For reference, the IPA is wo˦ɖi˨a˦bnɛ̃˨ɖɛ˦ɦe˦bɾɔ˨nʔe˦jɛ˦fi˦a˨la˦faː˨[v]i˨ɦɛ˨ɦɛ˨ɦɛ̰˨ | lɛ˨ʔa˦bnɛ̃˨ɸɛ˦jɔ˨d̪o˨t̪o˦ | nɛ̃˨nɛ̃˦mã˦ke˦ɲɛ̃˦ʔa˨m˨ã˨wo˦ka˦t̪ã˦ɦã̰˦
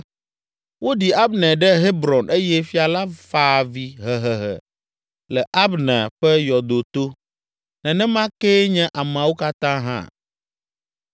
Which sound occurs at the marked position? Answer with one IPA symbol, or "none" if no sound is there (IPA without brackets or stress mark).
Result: v